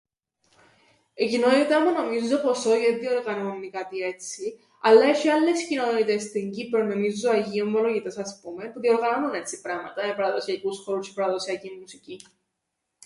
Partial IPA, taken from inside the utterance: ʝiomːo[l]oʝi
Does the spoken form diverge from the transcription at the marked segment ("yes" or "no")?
no